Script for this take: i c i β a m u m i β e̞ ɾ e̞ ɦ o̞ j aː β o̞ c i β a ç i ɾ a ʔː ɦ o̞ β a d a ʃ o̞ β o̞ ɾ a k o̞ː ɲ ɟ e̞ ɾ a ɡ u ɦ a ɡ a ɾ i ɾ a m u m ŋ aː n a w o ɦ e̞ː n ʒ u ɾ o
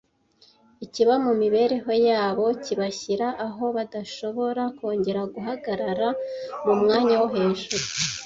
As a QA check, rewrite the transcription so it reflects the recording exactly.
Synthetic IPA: i c i β a m u m i β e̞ ɾ e̞ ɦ o̞ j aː β o̞ c i β a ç i ɾ a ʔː ɦ o̞ β a d a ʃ o̞ β o̞ ɾ a k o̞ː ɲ ɟ e̞ ɾ a ɡ u ɦ a ɡ a ɾ a ɾ a m u m ŋ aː ɲ a w o ɦ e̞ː n ʒ u ɾ u